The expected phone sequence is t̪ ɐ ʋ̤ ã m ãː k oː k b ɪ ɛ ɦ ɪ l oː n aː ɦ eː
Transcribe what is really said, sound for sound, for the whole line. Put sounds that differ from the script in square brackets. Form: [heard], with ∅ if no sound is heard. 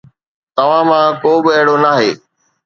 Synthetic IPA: t̪ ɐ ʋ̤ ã m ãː k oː [∅] b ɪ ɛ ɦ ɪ [ɽ] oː n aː ɦ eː